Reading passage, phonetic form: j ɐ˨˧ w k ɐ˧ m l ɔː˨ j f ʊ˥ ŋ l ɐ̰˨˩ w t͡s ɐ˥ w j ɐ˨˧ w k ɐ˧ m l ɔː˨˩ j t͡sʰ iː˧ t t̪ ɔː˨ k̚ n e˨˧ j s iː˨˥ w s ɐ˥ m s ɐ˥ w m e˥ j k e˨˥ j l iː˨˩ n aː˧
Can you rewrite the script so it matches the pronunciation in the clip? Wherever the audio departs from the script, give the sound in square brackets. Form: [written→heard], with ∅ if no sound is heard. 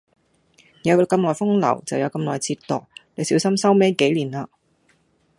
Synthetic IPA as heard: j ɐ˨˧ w k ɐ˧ m l ɔː˨ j f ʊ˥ ŋ l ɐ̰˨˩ w t͡s [ɐ˥→ɐ˨] w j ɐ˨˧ w k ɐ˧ m l ɔː˨˩ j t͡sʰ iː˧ t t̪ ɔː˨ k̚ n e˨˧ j s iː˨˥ w s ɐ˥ m s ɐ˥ w m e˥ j k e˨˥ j l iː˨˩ n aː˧